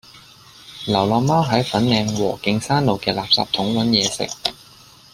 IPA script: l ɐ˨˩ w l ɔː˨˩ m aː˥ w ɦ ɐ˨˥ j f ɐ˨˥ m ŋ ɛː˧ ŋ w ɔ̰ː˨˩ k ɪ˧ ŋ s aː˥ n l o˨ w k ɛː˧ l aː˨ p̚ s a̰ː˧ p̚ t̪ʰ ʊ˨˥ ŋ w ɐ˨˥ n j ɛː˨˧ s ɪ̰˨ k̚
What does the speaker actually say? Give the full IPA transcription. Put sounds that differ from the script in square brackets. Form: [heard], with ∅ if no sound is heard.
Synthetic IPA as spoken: l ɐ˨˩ w l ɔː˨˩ m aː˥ w ɦ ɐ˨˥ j f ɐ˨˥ [n] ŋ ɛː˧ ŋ w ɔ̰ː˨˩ k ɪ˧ ŋ s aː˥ n l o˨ w k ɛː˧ l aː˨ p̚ s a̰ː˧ p̚ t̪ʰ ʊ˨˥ ŋ w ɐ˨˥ n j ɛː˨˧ s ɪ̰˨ k̚